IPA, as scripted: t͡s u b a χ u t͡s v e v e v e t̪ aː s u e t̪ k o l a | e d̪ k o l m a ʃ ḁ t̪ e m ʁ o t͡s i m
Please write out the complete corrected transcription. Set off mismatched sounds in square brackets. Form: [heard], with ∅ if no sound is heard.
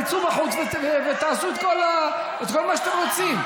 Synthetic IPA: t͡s u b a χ u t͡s v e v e v e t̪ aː s u e t̪ k o l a | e [t̪] k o l m a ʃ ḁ t̪ e m ʁ o t͡s i m